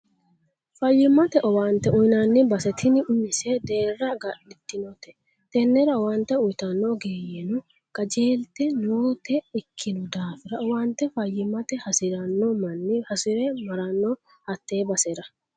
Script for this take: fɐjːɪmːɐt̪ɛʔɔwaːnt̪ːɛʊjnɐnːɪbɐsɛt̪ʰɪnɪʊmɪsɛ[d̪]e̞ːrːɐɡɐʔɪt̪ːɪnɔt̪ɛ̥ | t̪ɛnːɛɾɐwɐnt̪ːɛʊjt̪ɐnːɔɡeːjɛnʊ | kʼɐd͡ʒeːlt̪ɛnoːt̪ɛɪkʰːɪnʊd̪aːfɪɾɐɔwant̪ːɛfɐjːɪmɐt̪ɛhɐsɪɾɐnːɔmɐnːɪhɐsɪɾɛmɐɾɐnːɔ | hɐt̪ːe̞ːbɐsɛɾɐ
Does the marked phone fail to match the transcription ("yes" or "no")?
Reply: no